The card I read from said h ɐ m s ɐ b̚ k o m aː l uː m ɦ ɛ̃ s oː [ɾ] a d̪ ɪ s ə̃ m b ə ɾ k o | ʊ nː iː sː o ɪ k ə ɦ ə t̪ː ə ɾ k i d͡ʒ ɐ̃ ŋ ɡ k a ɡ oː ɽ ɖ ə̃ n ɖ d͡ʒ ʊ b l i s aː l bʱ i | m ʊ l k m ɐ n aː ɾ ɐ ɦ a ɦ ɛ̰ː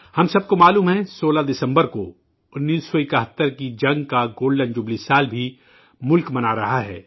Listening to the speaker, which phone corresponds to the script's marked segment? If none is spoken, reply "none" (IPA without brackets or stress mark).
l